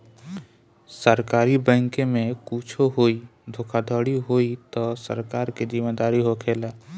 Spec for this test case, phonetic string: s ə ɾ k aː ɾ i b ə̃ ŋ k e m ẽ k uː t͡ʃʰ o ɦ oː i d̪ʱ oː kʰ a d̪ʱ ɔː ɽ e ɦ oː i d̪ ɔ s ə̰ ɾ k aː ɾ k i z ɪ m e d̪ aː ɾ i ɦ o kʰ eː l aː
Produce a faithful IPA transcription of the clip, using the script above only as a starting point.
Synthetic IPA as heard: s ə ɾ k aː ɾ i b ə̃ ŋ k e m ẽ k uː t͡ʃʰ o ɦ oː i d̪ʱ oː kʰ a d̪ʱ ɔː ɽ i ɦ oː i t̪ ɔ s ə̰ ɾ k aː ɾ k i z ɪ m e d̪ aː ɾ i ɦ o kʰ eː l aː